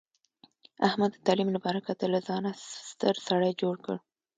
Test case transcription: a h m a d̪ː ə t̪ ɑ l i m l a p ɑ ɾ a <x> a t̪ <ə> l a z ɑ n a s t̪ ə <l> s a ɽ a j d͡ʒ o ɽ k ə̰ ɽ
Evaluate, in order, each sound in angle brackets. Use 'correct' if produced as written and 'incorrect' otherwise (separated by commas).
incorrect, correct, incorrect